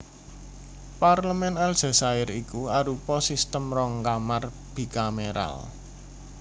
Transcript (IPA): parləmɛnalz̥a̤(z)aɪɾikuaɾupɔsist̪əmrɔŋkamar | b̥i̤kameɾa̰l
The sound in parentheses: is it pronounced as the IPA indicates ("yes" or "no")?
no